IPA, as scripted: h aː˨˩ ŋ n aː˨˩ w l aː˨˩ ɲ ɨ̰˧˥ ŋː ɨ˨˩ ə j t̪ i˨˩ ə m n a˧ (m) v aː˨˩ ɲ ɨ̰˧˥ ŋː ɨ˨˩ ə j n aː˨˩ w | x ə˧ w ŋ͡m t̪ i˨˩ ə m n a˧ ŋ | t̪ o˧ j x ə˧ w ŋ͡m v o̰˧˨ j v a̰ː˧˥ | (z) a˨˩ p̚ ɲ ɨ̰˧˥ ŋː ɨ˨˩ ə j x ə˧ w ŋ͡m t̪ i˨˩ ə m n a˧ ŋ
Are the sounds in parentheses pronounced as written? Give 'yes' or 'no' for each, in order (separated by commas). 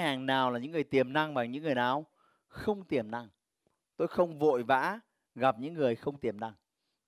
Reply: no, no